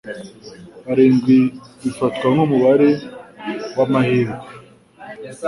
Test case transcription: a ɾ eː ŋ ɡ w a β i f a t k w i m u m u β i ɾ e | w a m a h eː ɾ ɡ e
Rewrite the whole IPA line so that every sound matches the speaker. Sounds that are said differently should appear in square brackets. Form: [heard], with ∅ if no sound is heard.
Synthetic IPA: a ɾ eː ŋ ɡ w [i] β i f a t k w [a] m u m u β [a] ɾ e | w a m a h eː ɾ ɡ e